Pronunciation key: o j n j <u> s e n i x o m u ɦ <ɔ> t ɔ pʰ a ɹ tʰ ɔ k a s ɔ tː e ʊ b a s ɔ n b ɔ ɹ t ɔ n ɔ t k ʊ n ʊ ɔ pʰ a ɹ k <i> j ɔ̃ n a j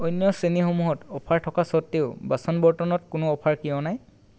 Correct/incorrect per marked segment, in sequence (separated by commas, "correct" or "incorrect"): incorrect, correct, correct